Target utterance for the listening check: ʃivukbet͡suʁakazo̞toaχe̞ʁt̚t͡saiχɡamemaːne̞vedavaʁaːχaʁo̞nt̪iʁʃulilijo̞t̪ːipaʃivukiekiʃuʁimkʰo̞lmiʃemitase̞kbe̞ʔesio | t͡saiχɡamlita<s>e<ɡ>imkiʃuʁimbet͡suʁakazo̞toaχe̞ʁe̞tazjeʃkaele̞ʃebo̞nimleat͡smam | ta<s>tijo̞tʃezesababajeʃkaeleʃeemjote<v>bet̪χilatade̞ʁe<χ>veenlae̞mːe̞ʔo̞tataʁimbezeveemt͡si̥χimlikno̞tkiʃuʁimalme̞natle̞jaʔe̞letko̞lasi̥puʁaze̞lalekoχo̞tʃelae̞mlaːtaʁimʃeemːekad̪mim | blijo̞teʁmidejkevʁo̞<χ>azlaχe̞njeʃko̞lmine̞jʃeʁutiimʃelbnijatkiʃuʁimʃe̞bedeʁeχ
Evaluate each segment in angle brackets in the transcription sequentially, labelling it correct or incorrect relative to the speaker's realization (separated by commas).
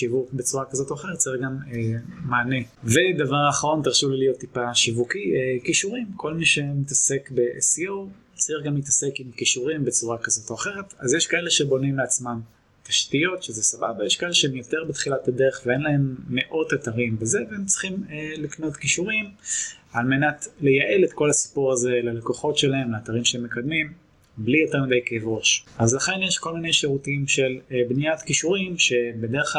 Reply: correct, incorrect, incorrect, incorrect, correct, incorrect